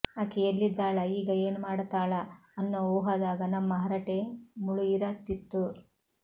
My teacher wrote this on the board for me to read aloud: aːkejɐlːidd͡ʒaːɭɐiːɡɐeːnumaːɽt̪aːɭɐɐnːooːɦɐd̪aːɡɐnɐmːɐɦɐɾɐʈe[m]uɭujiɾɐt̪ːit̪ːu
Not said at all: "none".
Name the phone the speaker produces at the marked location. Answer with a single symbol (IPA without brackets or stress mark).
m